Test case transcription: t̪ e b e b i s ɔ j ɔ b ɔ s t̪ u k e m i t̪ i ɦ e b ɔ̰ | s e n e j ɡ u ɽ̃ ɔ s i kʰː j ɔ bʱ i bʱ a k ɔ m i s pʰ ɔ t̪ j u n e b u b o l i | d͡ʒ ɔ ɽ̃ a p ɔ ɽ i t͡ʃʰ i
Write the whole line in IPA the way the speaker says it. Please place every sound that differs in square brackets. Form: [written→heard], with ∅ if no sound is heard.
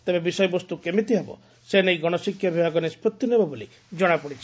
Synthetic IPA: t̪ e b e b i s ɔ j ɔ b ɔ s t̪ u k e m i t̪ i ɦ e b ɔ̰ | s e n e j ɡ [u→ɔ] ɽ̃ ɔ s i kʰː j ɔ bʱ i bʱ a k ɔ [m→n] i s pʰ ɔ t̪ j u n e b [u→ɔ] b o l i | d͡ʒ ɔ ɽ̃ a p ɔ ɽ i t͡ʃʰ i